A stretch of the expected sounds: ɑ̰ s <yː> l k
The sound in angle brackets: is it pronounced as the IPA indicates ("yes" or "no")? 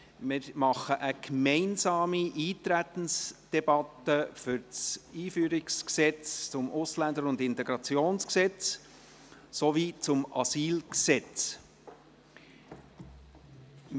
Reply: no